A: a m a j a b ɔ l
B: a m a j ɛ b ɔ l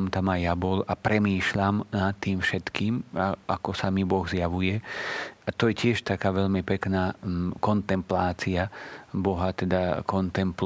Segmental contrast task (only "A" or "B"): A